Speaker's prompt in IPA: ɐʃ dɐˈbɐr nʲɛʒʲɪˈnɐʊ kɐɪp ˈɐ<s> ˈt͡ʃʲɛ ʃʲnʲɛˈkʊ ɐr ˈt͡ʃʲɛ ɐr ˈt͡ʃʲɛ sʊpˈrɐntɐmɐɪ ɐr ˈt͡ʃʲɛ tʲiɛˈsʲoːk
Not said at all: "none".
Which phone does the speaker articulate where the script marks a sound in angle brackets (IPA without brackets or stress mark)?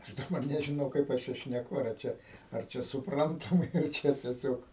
ʃ